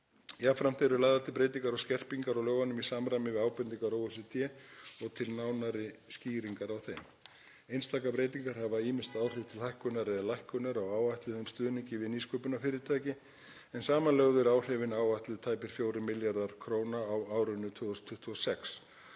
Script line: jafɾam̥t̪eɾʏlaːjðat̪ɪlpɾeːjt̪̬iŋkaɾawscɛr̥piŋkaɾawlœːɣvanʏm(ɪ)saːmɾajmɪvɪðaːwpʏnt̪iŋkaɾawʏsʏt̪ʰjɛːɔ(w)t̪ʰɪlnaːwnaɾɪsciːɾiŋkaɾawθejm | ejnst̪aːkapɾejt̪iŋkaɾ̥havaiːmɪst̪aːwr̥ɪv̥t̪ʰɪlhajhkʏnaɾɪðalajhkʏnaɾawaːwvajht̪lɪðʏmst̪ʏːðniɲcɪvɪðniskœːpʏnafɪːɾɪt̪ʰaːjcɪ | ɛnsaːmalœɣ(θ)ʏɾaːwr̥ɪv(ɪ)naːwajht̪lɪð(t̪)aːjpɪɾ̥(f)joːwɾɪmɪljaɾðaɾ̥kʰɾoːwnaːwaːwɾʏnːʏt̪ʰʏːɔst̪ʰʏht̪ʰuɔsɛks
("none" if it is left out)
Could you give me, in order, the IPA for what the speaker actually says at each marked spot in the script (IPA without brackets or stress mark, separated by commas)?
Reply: i, ɣ, ð, ɪ, t̪ʰ, f